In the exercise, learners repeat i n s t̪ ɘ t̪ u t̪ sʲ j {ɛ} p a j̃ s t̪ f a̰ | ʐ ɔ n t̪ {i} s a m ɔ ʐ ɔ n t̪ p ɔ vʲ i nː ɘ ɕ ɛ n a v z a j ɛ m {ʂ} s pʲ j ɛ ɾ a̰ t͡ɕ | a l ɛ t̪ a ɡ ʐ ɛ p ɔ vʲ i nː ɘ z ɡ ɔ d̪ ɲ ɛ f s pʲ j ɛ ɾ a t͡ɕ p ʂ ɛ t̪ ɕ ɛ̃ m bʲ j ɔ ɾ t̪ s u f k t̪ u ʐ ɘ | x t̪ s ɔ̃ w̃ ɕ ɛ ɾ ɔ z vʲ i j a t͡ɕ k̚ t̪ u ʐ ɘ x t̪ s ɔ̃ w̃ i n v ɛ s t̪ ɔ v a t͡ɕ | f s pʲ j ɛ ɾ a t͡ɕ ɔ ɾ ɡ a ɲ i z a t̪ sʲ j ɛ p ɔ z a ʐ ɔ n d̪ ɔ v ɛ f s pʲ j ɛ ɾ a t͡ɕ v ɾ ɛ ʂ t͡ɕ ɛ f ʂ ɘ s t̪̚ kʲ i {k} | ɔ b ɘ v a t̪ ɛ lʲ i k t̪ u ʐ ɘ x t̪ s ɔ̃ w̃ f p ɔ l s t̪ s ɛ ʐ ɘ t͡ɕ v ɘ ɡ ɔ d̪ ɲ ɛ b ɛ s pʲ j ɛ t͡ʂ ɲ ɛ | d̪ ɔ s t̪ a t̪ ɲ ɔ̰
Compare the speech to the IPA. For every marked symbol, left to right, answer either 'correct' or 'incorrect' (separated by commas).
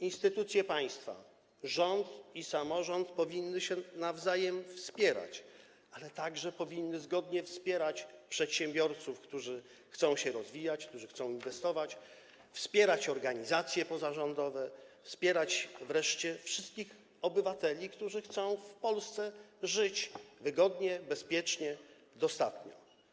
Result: correct, correct, incorrect, incorrect